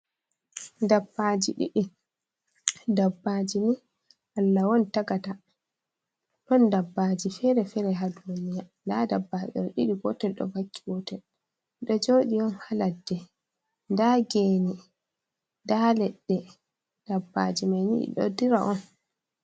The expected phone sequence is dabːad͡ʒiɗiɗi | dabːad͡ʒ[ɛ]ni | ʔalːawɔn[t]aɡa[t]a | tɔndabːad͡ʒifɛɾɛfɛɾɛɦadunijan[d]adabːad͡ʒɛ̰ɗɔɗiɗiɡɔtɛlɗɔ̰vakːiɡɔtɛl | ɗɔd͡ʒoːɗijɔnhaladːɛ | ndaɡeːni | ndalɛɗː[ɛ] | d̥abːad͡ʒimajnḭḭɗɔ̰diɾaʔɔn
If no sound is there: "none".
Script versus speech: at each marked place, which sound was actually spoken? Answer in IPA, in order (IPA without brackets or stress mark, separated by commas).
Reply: i, t, t, d, ɛ